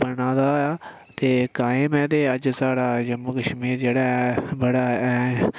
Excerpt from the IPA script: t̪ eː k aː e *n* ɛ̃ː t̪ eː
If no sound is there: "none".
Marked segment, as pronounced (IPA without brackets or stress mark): m